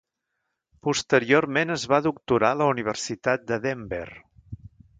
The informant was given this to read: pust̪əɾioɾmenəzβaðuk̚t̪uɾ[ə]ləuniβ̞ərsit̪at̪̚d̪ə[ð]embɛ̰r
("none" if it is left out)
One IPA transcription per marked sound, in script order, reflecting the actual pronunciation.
a, ð

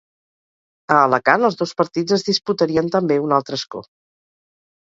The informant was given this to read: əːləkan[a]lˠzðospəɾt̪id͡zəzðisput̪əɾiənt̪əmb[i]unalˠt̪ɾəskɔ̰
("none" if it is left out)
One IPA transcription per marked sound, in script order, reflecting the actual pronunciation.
ə, e

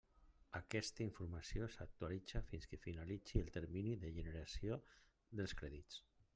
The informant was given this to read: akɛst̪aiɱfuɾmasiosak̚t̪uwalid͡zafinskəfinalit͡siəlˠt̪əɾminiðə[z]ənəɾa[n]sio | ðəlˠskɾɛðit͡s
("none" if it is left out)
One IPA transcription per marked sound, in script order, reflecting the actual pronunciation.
ʒ, none

